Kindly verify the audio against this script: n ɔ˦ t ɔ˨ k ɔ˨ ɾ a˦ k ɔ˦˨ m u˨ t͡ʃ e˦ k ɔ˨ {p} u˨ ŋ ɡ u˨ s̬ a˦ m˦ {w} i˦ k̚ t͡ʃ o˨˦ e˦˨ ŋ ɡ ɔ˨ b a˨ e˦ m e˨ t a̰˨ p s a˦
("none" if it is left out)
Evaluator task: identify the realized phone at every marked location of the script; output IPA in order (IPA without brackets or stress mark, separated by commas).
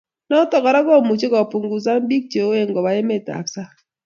p, b